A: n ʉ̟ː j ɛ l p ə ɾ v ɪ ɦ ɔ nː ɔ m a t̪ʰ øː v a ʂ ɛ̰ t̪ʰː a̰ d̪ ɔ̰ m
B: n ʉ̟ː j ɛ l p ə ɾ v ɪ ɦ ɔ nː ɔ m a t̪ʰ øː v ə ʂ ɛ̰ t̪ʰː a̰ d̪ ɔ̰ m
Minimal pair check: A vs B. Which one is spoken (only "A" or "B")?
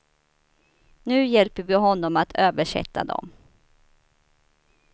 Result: B